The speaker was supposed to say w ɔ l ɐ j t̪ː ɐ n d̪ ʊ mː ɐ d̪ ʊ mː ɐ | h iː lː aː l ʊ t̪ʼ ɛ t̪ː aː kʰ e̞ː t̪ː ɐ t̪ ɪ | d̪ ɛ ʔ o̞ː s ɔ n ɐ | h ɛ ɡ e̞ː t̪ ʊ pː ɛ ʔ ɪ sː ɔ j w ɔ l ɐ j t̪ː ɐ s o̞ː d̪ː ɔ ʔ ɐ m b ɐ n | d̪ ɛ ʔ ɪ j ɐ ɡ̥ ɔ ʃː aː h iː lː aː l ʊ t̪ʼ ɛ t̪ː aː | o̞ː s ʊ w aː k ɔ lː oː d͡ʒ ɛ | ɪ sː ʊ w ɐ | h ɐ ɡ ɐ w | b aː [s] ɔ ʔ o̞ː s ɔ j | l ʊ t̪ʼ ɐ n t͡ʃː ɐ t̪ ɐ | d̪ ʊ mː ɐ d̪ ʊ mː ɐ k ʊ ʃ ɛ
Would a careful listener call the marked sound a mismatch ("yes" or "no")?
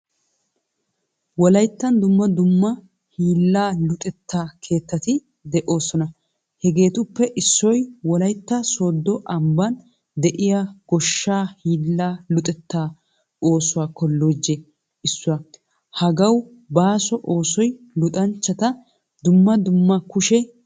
no